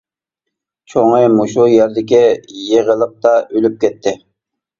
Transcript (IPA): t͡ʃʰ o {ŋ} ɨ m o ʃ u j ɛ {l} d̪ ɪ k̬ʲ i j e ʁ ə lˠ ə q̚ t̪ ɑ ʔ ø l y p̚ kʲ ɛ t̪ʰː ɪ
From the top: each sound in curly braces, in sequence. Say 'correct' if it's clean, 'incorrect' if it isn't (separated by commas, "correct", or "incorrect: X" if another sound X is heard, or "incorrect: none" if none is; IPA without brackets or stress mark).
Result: correct, incorrect: ɾ